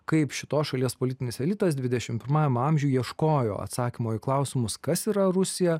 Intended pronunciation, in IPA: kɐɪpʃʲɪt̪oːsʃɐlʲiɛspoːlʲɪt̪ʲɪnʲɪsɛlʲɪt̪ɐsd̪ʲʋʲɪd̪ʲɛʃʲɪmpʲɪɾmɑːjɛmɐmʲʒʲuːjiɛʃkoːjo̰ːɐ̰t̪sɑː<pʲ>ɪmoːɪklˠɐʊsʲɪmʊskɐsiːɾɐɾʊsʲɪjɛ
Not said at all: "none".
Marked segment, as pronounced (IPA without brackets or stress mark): kʲ